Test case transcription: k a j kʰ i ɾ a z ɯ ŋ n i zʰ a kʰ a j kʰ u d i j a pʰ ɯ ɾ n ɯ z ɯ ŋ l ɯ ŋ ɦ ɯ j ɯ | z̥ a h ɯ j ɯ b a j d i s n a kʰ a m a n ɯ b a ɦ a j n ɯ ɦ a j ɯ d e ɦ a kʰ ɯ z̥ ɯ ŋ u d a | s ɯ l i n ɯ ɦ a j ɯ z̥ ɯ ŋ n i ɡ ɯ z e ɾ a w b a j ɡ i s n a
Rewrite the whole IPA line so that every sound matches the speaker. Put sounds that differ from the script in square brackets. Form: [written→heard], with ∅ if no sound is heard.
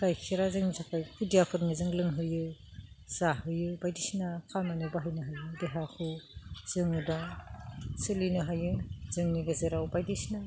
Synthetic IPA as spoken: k a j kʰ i ɾ a z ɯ ŋ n i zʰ a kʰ a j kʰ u d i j a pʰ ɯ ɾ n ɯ z ɯ ŋ l ɯ ŋ ɦ ɯ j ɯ | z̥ a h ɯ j ɯ b a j d i s n a kʰ a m a n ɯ b a ɦ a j n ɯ ɦ a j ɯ d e ɦ a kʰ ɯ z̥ ɯ ŋ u d a | s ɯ l i n ɯ ɦ a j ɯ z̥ ɯ ŋ n i ɡ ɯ z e ɾ a w b a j [ɡ→d] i s n a

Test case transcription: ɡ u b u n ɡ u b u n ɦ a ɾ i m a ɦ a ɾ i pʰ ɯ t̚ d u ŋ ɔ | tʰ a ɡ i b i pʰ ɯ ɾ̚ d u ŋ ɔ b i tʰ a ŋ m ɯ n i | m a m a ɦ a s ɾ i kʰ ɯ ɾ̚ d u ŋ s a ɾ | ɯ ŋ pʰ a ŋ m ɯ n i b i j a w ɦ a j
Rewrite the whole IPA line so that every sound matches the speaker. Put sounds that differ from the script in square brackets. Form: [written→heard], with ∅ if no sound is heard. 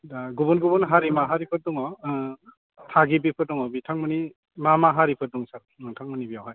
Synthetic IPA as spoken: ɡ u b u n ɡ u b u n ɦ a ɾ i m a ɦ a ɾ i pʰ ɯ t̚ d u ŋ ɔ | tʰ a ɡ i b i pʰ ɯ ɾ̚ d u ŋ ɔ b i tʰ a ŋ m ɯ n i | m a m a ɦ a [s→∅] ɾ i [kʰ→pʰ] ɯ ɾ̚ d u ŋ s a ɾ | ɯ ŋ [pʰ→tʰ] a ŋ m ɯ n i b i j a w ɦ a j

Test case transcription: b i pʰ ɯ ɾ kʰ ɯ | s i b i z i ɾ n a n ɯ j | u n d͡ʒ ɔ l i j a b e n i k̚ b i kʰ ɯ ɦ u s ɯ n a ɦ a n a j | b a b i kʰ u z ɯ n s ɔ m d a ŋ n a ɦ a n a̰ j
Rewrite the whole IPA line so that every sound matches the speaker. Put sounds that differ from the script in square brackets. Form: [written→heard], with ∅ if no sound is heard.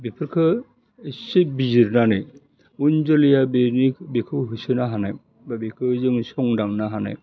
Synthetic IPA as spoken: b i pʰ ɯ ɾ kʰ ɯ | s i b i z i ɾ n a n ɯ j | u n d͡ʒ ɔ l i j a b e n i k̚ b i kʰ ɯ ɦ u s ɯ n a ɦ a n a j | b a b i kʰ [u→ɯ] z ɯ [n→ŋ] s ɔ [m→ŋ] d a ŋ n a ɦ a n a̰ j

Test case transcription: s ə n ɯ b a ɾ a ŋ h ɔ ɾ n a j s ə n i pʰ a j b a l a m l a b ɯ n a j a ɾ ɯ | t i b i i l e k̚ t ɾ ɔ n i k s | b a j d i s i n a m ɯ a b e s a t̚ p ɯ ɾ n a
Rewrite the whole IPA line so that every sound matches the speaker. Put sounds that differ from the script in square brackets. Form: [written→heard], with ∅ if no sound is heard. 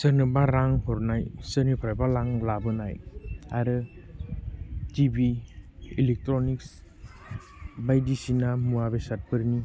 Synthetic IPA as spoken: s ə n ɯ b a ɾ a ŋ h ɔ ɾ n a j s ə n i pʰ a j b a l a [m→ŋ] l a b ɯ n a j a ɾ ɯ | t i b i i l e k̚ t ɾ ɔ n i k s | b a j d i s i n a m [ɯ→u] a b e s a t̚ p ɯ ɾ n [a→i]

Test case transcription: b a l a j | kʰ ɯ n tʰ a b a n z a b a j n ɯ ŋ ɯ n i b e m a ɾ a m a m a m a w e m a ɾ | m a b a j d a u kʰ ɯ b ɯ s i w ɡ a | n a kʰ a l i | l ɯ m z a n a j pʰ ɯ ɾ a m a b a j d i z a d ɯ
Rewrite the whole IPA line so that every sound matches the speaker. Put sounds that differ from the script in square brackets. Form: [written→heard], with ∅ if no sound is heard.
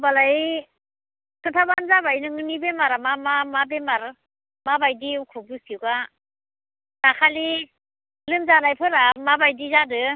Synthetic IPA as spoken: b a l a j | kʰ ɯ n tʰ a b a n z a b a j n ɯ ŋ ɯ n i b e m a ɾ a m a m a m a [w→b] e m a ɾ | m a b a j d [a→i] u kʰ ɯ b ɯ s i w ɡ a | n a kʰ a l i | l ɯ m z a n a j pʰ ɯ ɾ a m a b a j d i z a d ɯ

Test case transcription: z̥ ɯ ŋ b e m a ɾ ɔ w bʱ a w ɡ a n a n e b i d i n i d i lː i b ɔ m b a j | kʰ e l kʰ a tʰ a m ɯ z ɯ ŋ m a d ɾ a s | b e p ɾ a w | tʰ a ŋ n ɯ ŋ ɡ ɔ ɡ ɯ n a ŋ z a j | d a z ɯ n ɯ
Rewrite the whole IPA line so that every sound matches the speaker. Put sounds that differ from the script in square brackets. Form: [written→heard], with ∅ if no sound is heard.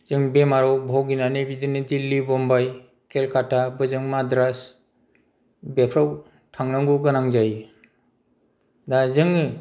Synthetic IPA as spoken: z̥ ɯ ŋ b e m a ɾ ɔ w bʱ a w ɡ [a→i] n a n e b i d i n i d i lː i b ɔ m b a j | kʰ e l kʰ a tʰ a [m→b] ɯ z ɯ ŋ m a d ɾ a s | b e [p→pʰ] ɾ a w | tʰ a ŋ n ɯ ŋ ɡ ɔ ɡ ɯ n a ŋ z a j | d a z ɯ [n→ŋ] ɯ

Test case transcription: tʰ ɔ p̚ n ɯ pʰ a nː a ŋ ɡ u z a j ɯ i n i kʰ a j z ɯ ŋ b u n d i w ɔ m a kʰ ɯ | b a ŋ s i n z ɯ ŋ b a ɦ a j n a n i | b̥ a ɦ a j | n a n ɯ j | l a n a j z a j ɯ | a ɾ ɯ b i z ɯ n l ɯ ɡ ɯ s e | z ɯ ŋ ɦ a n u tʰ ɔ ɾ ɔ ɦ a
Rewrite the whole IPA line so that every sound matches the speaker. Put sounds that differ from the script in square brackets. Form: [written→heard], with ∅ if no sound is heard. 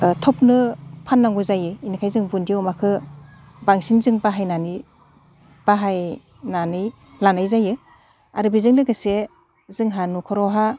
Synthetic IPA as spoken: tʰ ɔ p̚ n ɯ pʰ a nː a ŋ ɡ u z a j ɯ i n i kʰ a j z ɯ ŋ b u n d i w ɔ m a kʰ ɯ | b a ŋ s i n z ɯ ŋ b a ɦ a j n a n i | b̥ a ɦ a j | n a n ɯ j | l a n a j z a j ɯ | a ɾ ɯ b i z ɯ [n→ŋ] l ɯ ɡ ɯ s e | z ɯ ŋ ɦ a n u [tʰ→kʰ] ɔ ɾ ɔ ɦ a

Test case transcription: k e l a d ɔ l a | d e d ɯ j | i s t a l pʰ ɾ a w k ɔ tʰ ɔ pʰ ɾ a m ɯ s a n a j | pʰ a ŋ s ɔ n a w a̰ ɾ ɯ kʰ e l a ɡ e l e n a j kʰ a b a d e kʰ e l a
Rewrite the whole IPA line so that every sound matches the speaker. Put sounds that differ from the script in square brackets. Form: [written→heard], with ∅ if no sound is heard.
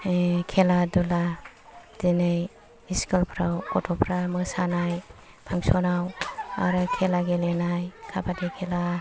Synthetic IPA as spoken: [k→kʰ] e l a d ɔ l a | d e [d→n] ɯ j | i s [t→k] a l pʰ ɾ a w k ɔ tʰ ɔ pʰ ɾ a m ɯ s a n a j | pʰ a ŋ s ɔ n a w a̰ ɾ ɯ kʰ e l a ɡ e l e n a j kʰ a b a d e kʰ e l a

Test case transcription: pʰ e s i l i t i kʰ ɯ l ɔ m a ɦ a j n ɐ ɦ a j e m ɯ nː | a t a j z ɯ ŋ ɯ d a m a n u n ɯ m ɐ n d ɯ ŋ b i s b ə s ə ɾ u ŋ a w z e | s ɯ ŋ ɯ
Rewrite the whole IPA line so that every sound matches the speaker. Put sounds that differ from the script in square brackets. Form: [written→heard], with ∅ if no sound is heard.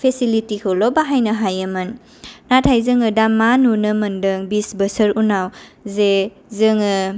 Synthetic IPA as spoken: pʰ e s i l i t i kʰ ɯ l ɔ [m→b] a ɦ a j n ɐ ɦ a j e m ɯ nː | a [t→tʰ] a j z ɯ ŋ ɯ d a m a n u n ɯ m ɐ n d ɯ ŋ b i s b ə s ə ɾ u [ŋ→n] a w z e | [s→z] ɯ ŋ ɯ

